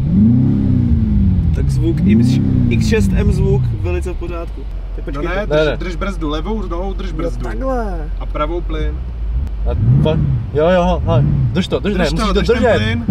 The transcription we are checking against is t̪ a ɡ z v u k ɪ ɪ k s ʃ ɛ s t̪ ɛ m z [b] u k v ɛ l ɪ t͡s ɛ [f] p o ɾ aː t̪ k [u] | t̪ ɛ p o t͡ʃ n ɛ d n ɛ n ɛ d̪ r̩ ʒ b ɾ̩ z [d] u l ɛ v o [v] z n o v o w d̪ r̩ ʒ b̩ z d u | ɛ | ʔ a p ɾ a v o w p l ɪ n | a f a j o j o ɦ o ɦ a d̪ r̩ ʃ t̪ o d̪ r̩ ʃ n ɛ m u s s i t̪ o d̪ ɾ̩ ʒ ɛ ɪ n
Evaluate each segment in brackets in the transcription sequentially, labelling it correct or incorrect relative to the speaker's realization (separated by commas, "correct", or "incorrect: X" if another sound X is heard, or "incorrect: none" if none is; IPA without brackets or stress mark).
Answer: incorrect: v, correct, correct, correct, incorrect: w